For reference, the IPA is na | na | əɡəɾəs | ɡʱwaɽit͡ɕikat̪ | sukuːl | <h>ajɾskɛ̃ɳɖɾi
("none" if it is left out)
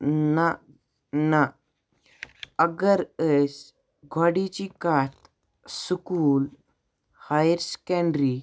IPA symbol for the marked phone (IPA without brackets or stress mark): h